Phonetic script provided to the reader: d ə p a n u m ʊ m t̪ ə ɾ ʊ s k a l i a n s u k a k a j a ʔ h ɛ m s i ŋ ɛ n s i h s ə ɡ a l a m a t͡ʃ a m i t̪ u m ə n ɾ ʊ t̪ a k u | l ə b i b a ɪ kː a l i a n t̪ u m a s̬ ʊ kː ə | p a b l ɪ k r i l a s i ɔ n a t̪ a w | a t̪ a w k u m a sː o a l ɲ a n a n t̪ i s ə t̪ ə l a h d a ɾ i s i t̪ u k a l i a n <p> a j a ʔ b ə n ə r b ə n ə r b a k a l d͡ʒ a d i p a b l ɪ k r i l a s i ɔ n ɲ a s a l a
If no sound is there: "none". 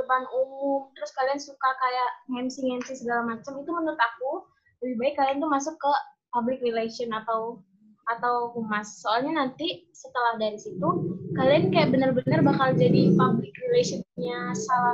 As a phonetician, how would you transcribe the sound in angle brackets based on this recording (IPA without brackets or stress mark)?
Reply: k